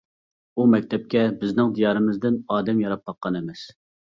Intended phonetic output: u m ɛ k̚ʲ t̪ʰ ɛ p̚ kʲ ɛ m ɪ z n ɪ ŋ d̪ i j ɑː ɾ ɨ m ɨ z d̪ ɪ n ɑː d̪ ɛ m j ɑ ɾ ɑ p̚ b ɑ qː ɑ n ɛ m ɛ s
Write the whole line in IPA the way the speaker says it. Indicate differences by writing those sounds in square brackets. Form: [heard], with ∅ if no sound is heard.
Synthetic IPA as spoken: u m ɛ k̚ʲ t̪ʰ ɛ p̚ kʲ ɛ [b] ɪ z n ɪ ŋ d̪ i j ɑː ɾ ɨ m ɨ z d̪ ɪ n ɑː d̪ ɛ m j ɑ ɾ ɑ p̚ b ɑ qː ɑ n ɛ m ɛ s